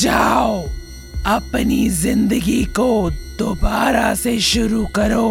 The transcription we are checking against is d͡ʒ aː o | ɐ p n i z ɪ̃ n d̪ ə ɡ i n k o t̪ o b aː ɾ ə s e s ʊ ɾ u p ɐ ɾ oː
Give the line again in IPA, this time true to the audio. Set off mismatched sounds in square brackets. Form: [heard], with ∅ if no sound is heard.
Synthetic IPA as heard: d͡ʒ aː o | ɐ p n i z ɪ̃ n d̪ ə ɡ i [∅] k o [d̪] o b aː ɾ [a] s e [ʃ] ʊ ɾ u [k] ɐ ɾ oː